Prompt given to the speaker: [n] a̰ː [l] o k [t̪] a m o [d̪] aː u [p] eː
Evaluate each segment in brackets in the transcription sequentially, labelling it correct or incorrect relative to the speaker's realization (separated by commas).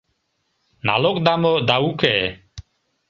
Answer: correct, correct, incorrect, correct, incorrect